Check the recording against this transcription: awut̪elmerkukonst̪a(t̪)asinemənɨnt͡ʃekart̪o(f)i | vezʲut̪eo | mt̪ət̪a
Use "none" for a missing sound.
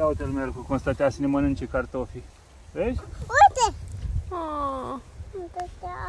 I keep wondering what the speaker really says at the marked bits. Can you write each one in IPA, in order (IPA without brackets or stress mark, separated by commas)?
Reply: t̪, f